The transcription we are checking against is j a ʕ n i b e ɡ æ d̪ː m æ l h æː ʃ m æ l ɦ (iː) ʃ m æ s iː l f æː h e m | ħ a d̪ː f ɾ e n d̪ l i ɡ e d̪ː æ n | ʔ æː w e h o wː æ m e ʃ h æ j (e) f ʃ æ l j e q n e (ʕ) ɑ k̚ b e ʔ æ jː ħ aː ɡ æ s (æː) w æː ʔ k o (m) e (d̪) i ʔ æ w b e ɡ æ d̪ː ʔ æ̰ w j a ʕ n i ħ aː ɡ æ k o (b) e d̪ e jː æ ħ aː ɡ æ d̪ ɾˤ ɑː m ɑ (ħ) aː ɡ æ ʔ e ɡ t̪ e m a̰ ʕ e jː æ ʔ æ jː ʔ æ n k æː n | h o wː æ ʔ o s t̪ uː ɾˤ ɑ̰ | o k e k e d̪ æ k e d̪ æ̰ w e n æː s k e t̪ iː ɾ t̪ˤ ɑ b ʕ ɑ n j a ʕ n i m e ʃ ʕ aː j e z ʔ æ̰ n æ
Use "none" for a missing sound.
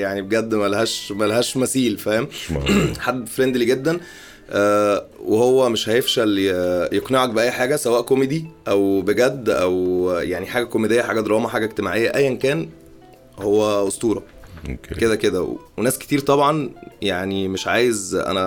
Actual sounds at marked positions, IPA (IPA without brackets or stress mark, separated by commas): æː, e, ʕ, æ, m, d̪, m, ħ